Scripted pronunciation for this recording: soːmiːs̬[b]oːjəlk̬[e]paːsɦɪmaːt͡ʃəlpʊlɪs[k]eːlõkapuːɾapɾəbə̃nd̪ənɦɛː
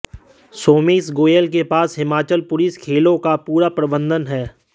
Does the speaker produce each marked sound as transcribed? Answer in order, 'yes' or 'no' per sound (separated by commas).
no, yes, no